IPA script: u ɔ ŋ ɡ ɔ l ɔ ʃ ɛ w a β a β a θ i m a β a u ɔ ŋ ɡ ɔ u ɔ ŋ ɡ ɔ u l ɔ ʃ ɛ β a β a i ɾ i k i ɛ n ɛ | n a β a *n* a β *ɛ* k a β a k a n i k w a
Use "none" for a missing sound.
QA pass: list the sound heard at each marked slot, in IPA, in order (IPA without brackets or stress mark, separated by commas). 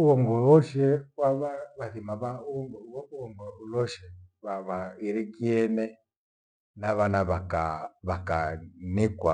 n, a